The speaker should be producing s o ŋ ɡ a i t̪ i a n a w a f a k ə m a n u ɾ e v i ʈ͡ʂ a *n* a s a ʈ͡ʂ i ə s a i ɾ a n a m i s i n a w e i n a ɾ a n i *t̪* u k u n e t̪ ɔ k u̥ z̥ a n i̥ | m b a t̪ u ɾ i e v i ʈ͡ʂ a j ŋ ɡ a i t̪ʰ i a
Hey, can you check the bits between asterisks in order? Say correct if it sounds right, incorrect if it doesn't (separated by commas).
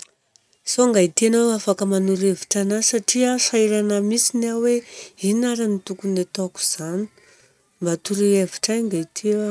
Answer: correct, correct